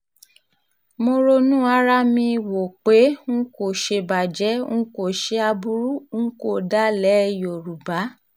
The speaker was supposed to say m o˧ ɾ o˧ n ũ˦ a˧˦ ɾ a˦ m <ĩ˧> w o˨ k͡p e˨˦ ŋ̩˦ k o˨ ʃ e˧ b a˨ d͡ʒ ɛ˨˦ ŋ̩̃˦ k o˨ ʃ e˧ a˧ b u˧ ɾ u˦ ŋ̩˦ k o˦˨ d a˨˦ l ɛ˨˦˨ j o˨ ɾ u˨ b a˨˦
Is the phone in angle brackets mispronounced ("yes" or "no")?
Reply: no